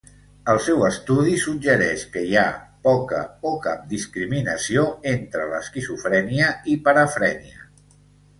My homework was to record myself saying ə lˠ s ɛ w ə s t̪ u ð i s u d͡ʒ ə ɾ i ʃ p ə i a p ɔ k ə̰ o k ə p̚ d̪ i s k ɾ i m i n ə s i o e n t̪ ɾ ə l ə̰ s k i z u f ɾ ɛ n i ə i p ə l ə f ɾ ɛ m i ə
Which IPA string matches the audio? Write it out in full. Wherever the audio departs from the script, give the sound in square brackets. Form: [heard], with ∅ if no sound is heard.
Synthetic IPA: ə lˠ s ɛ w ə s t̪ u ð i s u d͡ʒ ə ɾ [ɛ] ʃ [k] ə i a p ɔ k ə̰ o k [a] p̚ d̪ i s k ɾ i m i n ə s i o e n t̪ ɾ ə l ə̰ s k i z u f ɾ ɛ n i ə i p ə [ɾ] ə f ɾ ɛ [n] i ə